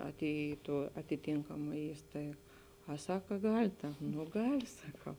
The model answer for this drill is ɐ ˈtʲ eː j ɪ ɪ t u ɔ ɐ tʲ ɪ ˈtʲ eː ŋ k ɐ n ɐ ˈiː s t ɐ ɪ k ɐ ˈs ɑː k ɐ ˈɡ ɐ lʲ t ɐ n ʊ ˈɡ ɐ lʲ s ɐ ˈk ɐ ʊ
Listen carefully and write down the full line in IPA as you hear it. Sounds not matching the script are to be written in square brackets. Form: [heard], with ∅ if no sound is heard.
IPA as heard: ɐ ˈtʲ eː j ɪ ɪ t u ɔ ɐ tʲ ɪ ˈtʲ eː ŋ k ɐ [m] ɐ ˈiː s t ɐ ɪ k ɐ ˈs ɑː k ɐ ˈɡ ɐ lʲ t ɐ n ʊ ˈɡ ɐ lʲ s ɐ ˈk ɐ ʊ